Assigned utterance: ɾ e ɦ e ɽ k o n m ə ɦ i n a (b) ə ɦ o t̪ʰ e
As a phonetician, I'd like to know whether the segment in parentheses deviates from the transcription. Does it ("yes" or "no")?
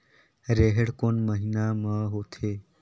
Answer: yes